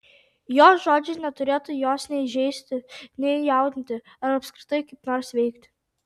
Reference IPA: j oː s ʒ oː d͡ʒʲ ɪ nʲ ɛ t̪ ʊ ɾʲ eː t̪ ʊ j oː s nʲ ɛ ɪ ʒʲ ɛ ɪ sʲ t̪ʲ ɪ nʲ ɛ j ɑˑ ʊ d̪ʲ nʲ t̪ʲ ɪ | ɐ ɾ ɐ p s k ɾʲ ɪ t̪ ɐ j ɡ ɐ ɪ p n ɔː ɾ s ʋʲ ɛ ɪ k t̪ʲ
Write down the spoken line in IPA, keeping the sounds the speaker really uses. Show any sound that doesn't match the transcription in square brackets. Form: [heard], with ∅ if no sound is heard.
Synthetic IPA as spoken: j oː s ʒ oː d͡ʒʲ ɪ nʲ ɛ t̪ ʊ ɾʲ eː t̪ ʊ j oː s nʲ ɛ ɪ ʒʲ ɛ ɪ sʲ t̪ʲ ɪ nʲ ɛ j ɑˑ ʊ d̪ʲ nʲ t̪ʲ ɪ | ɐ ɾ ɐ p s k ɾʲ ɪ t̪ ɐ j [k] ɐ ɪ p n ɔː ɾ s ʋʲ ɛ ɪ k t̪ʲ

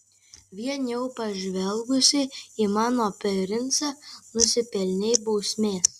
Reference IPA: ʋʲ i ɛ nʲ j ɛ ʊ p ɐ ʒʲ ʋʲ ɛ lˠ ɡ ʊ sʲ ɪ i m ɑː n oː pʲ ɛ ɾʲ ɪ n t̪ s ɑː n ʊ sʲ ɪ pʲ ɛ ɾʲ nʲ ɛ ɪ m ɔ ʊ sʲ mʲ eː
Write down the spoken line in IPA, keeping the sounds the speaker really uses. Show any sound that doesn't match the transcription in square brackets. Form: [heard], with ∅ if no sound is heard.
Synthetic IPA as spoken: ʋʲ i ɛ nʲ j ɛ ʊ p ɐ ʒʲ ʋʲ ɛ lˠ ɡ ʊ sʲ ɪ i m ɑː n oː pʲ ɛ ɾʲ ɪ n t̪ s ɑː n ʊ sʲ ɪ pʲ ɛ [lʲ] nʲ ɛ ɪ [b] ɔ ʊ sʲ mʲ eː

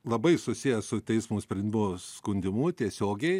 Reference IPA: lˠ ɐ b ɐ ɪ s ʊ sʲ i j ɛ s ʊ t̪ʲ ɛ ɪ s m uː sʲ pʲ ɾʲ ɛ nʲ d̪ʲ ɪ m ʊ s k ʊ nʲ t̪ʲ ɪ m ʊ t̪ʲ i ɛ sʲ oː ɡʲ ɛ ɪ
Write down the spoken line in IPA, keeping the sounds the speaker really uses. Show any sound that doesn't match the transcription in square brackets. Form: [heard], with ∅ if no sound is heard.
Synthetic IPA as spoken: lˠ ɐ b ɐ ɪ s ʊ sʲ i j ɛ s ʊ t̪ʲ ɛ ɪ s m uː sʲ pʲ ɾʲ ɛ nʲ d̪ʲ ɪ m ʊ s k ʊ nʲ [d̪ʲ] ɪ m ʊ t̪ʲ i ɛ sʲ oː ɡʲ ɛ ɪ

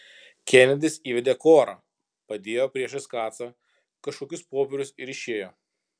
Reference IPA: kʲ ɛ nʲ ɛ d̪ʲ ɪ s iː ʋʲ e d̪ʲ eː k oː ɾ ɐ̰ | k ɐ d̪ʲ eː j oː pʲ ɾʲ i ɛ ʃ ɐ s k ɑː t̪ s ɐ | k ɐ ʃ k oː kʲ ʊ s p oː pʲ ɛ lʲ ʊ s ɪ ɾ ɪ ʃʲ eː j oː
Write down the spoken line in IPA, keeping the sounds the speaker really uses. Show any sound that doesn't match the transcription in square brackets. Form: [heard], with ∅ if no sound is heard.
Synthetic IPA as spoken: kʲ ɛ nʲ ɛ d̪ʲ ɪ s iː ʋʲ [ɛ] d̪ʲ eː k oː ɾ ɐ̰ | [p] ɐ d̪ʲ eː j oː pʲ ɾʲ i ɛ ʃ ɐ s k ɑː t̪ s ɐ | k ɐ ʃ k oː kʲ ʊ s p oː pʲ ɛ [ɾʲ] ʊ s ɪ ɾ ɪ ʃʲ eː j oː

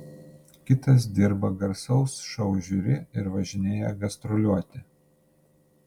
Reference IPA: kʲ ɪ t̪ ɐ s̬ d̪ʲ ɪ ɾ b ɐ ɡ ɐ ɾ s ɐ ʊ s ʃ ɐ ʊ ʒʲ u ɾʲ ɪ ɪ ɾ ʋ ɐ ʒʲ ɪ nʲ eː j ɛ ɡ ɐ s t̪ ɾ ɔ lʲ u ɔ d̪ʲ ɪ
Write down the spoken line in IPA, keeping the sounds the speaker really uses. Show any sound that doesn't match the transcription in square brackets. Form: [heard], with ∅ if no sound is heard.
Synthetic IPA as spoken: kʲ ɪ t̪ ɐ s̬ d̪ʲ ɪ ɾ b ɐ ɡ ɐ ɾ s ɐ ʊ s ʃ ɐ ʊ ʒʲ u ɾʲ ɪ ɪ ɾ ʋ ɐ ʒʲ ɪ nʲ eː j ɛ ɡ ɐ s t̪ ɾ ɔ lʲ u ɔ [t̪ʲ] ɪ

